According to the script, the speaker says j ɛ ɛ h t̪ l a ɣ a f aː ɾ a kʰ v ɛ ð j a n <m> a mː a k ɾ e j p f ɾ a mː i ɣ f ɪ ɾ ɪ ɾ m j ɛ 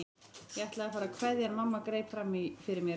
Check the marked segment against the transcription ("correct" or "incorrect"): correct